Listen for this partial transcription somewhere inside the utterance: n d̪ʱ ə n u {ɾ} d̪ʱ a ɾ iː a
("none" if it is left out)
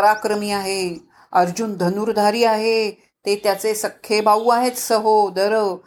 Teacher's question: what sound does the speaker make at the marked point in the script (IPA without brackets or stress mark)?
ɾ